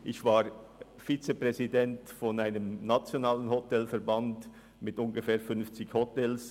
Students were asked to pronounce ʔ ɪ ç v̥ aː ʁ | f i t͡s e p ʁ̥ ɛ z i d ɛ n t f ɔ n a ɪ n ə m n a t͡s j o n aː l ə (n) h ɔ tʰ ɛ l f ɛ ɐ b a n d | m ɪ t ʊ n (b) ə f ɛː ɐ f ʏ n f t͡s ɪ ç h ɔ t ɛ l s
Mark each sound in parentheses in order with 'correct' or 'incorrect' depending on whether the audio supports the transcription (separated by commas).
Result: correct, incorrect